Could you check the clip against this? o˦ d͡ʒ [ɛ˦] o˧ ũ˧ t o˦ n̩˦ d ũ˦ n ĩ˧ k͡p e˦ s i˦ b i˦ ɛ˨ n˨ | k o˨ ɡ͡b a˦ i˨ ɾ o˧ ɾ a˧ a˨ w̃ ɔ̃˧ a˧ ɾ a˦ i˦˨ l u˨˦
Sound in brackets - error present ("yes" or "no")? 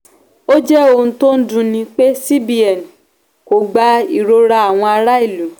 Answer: no